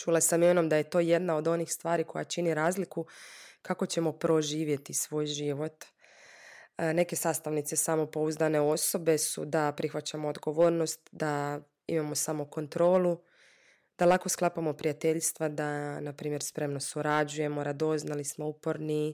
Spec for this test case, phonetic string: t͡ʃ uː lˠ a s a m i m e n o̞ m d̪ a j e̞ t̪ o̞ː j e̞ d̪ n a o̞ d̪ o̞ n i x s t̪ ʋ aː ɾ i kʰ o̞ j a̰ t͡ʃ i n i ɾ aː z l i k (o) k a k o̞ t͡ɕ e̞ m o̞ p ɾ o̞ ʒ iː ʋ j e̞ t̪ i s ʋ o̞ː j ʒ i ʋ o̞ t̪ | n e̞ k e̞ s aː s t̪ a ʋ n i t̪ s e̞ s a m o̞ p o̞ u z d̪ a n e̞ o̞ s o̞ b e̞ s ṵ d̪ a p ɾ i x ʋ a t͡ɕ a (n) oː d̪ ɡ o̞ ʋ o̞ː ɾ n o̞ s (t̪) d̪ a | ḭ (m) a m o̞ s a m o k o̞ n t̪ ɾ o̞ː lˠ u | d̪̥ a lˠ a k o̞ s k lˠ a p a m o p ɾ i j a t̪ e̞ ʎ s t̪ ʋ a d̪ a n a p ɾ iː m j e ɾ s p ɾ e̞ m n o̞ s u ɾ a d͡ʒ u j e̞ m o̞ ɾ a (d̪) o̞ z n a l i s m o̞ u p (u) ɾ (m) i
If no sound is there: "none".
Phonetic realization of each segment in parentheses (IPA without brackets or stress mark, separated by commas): u, m, t̪, m, d̪, o, n